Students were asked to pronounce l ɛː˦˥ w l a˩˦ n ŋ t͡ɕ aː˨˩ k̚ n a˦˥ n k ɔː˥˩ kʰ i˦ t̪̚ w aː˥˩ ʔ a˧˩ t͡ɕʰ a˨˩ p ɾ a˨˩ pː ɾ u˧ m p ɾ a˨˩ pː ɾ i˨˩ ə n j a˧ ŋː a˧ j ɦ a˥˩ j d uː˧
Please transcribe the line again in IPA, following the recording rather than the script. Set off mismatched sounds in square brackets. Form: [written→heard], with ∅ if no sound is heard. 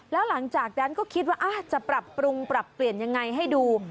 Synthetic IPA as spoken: l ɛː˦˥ w l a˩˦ [n→∅] ŋ t͡ɕ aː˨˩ k̚ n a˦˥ n k ɔː˥˩ kʰ i˦ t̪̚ w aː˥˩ ʔ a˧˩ [t͡ɕʰ→t͡ɕ] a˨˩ p ɾ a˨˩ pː ɾ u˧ [m→ŋ] p ɾ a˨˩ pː [ɾ→l] i˨˩ ə n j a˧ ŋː a˧ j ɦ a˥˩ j d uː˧

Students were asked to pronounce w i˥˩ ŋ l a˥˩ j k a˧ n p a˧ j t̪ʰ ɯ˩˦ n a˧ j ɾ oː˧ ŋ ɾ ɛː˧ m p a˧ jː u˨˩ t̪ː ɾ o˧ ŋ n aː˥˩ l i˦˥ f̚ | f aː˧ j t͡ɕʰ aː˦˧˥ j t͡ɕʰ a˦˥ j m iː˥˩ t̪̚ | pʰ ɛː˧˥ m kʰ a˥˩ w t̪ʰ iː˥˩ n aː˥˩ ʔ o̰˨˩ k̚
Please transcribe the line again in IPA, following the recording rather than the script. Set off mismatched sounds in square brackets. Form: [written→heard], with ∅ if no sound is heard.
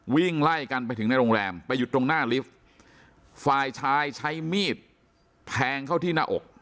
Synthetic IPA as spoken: w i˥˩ ŋ l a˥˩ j k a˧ n p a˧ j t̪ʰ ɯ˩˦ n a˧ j ɾ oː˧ ŋ ɾ ɛː˧ m p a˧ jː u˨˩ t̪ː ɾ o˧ ŋ n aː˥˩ l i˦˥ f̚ | f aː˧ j t͡ɕʰ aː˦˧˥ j t͡ɕʰ a˦˥ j m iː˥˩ t̪̚ | pʰ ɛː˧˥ [m→ŋ] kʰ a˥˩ w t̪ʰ iː˥˩ n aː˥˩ ʔ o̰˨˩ k̚

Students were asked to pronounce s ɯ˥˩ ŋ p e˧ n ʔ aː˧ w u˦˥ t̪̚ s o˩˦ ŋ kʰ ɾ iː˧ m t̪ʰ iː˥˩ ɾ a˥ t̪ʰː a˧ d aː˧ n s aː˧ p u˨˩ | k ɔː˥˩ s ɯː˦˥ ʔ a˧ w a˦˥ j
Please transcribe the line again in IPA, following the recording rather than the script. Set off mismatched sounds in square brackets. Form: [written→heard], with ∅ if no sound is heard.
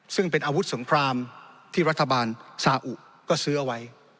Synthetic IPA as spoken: s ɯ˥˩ ŋ p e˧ n ʔ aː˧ w u˦˥ t̪̚ s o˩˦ ŋ kʰ ɾ [iː˧→aː˧] m t̪ʰ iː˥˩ ɾ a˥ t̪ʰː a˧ [d→b] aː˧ n s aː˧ [p→ʔ] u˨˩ | k ɔː˥˩ s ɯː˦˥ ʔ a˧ w a˦˥ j

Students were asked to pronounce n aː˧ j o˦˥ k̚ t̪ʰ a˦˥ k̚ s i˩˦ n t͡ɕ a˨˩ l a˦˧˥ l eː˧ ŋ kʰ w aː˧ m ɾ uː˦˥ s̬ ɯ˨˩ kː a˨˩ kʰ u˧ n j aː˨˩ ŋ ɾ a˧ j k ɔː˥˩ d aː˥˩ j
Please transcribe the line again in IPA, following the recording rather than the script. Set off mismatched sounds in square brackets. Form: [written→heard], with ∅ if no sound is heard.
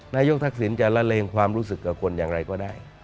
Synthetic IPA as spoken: n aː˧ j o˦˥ k̚ t̪ʰ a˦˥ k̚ s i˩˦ n t͡ɕ a˨˩ l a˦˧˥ l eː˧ ŋ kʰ w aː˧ m ɾ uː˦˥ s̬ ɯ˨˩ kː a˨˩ kʰ [u˧→o˧] n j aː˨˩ ŋ ɾ a˧ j k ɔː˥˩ d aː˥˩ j

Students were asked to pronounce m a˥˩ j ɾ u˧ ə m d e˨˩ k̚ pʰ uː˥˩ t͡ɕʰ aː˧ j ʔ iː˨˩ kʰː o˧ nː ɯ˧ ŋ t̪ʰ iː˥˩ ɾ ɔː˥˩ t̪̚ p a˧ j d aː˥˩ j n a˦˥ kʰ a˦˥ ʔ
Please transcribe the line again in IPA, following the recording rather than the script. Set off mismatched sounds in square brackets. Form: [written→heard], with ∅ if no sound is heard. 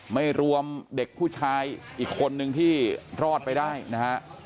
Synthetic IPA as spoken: m a˥˩ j ɾ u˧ ə m d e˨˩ k̚ pʰ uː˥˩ t͡ɕʰ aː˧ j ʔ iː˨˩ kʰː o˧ nː ɯ˧ ŋ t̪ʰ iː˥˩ ɾ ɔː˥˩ t̪̚ p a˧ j d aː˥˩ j n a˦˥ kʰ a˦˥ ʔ

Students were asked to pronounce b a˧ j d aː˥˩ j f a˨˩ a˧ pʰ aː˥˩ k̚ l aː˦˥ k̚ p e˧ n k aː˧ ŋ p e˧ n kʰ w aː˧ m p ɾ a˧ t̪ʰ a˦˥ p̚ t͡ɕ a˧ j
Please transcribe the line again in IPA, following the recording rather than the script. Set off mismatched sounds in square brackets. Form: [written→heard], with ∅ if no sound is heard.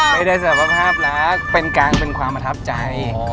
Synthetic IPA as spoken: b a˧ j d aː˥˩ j [f→s] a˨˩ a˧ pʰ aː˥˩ [k̚→p̚] l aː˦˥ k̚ p e˧ n k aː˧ ŋ p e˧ n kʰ w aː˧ m p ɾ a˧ t̪ʰ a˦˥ p̚ t͡ɕ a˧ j

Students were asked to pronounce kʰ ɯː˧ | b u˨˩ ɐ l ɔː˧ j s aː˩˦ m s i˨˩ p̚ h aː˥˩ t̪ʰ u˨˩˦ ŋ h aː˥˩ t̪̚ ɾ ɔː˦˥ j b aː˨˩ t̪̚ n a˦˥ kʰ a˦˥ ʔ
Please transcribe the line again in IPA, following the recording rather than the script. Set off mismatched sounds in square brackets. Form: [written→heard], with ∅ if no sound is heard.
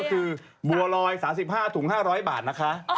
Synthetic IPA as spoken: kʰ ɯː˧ | b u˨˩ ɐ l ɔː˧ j s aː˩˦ m s i˨˩ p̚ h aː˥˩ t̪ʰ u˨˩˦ ŋ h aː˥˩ [t̪̚→∅] ɾ ɔː˦˥ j b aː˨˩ t̪̚ n a˦˥ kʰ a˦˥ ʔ

